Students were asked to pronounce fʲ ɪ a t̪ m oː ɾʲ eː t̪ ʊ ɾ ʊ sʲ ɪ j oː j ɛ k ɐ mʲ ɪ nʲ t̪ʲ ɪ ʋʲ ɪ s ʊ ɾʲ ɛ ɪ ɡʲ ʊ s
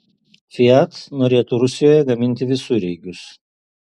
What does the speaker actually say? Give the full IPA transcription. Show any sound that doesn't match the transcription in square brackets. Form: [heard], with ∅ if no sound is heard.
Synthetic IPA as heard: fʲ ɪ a t̪ [n] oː ɾʲ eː t̪ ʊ ɾ ʊ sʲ ɪ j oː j ɛ [ɡ] ɐ mʲ ɪ nʲ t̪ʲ ɪ ʋʲ ɪ s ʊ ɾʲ ɛ ɪ ɡʲ ʊ s